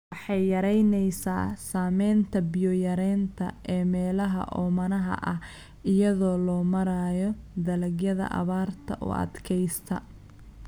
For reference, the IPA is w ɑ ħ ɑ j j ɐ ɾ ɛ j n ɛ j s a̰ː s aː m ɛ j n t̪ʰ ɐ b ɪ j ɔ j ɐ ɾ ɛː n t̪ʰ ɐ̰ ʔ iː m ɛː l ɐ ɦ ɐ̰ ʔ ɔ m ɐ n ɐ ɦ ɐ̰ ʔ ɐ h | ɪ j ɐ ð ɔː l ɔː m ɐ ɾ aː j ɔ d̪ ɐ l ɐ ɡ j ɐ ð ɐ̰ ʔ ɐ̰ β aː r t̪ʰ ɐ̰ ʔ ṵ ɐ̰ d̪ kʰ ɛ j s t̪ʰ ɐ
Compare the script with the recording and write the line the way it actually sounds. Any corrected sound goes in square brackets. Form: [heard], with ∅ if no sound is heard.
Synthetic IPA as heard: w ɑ ħ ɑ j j ɐ ɾ ɛ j n ɛ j s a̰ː s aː m ɛ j n t̪ʰ ɐ b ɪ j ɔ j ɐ ɾ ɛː n t̪ʰ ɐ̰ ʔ [ɛː] m ɛː l ɐ ɦ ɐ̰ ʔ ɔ m ɐ n ɐ ɦ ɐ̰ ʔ ɐ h | ɪ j ɐ ð ɔː l ɔː m ɐ ɾ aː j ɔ d̪ ɐ l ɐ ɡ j ɐ ð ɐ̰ ʔ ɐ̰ β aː r t̪ʰ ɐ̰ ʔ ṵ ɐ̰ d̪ kʰ ɛ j s t̪ʰ ɐ